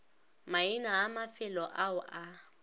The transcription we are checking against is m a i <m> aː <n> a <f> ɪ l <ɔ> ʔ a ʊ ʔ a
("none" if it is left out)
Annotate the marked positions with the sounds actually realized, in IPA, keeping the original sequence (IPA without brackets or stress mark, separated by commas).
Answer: n, m, f, ɔ